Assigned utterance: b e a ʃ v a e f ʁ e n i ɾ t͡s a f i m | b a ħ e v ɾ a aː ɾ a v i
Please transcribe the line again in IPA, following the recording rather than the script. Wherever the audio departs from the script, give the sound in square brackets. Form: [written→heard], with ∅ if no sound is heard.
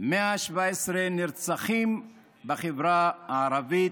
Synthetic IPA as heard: [b→m] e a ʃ v a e [f→s] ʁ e n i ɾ t͡s a [f→χ] i m | b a [ħ→χ] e v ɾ a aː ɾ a v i